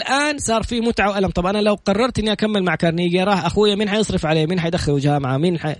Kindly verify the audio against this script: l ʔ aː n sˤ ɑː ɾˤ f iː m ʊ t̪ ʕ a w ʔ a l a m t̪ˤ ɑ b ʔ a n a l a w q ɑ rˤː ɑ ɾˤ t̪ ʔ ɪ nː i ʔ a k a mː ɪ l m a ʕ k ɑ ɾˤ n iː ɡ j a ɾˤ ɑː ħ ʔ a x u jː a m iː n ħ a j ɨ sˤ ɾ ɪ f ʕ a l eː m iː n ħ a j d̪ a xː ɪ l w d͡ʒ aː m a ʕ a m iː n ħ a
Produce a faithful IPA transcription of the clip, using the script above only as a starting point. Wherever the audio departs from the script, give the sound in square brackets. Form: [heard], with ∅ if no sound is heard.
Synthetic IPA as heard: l ʔ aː n sˤ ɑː ɾˤ f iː m ʊ t̪ ʕ a w ʔ a l a m t̪ˤ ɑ b ʔ a n a l a w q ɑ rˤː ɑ ɾˤ t̪ ʔ ɪ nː i ʔ a k a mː ɪ l m a ʕ k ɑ ɾˤ n iː ɡ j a ɾˤ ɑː ħ ʔ a x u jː a m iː n ħ a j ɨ sˤ ɾ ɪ f ʕ a l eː m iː n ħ a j d̪ a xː ɪ l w d͡ʒ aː m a ʕ a m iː n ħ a